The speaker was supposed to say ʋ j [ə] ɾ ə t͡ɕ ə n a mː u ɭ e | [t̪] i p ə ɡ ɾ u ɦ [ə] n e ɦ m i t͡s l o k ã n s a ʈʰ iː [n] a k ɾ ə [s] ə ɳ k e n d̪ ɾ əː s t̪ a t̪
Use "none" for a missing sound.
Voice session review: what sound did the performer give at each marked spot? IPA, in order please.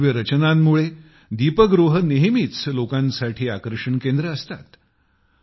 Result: ə, d̪, ə, none, ʂ

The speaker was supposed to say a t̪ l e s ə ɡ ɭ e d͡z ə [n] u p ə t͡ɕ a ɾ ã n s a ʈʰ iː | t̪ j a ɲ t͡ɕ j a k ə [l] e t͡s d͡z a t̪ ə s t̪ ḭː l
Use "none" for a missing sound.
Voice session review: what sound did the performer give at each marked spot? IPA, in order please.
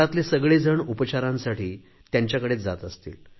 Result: ɳ, ɽ

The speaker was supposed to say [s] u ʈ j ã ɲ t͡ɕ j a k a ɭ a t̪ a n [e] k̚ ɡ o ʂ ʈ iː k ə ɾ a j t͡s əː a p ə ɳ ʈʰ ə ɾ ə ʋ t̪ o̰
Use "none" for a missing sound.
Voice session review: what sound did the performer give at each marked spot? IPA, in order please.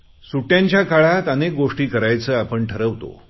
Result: s, e

